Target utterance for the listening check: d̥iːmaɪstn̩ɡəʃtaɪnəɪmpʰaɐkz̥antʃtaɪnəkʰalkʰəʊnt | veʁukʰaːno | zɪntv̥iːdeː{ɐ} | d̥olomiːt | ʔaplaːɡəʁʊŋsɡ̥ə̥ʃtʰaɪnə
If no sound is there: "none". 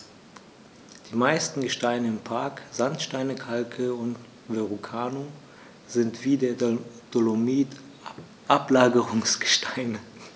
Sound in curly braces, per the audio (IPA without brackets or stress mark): ɐ